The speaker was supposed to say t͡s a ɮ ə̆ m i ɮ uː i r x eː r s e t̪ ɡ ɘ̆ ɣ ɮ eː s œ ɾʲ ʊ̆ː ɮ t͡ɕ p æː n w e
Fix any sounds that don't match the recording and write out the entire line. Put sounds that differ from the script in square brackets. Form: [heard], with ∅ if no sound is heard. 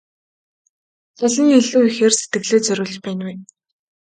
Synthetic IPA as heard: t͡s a ɮ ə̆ [ŋ] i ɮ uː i [∅] x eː r s e t̪ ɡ ɘ̆ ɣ ɮ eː [t͡s] œ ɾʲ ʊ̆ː ɮ t͡ɕ p æː n w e

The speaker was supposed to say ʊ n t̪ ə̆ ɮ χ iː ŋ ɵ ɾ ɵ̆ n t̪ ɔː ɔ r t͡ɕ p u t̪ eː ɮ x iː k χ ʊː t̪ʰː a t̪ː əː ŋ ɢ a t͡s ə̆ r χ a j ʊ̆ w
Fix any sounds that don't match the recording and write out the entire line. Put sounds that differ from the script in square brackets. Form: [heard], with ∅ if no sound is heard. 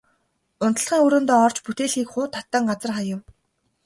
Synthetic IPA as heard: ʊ n t̪ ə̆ ɮ χ iː ŋ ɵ ɾ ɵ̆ n t̪ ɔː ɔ r t͡ɕ p u t̪ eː ɮ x iː k χ ʊː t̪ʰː a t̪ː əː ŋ ɢ a t͡s ə̆ r χ a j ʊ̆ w

